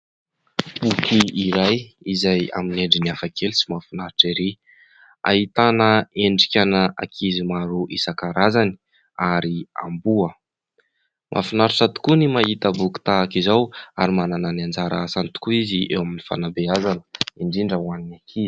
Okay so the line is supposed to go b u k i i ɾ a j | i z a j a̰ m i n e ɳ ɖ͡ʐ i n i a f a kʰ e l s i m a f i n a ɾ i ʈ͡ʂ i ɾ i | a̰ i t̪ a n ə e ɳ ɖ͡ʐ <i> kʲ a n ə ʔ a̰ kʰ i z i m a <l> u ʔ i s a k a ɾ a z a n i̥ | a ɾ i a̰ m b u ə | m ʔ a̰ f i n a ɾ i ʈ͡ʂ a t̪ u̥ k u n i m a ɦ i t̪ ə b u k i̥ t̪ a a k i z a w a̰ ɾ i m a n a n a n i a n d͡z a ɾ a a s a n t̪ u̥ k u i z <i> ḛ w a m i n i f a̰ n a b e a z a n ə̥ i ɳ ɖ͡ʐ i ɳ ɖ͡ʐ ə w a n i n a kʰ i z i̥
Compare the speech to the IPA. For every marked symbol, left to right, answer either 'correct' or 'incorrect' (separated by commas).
correct, incorrect, correct